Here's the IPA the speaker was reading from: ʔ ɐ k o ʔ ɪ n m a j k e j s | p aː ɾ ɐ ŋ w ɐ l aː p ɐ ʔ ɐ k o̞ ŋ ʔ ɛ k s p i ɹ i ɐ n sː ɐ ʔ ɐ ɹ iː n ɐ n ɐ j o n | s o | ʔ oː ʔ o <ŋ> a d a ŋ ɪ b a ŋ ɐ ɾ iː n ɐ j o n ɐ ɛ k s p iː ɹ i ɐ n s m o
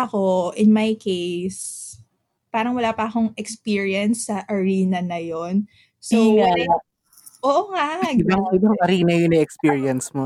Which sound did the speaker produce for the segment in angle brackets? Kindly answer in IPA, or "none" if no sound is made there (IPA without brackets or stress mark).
ŋ